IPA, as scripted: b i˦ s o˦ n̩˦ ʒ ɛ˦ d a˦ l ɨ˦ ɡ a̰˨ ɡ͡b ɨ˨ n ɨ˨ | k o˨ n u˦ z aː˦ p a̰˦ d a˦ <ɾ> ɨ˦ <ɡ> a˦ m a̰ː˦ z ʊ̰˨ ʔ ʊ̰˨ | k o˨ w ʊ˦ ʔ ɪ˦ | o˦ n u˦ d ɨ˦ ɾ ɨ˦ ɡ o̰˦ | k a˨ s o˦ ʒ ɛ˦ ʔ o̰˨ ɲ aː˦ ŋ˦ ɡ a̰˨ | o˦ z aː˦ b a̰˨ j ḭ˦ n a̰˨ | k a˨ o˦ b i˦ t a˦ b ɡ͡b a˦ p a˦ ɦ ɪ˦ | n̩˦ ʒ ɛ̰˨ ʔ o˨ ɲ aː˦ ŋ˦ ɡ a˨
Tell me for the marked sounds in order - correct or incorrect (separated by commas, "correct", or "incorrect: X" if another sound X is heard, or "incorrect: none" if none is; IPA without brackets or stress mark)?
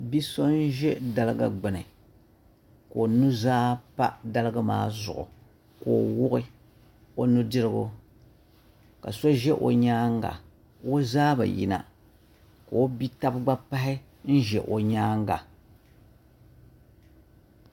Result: incorrect: l, correct